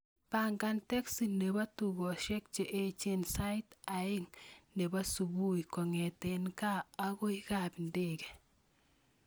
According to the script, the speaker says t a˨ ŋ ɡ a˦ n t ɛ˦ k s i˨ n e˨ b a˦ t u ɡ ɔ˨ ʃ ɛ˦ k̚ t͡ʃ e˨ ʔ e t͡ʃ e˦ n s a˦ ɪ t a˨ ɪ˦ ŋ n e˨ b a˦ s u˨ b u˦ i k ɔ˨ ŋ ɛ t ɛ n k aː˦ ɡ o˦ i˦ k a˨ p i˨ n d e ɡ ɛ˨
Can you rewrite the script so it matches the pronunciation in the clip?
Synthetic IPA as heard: p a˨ ŋ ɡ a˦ n t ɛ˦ k s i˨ n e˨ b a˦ t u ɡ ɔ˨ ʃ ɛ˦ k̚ t͡ʃ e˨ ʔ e t͡ʃ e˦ n s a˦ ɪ t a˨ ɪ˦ ŋ n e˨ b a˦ s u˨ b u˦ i k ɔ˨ ŋ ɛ t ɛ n k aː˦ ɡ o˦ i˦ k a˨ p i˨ n d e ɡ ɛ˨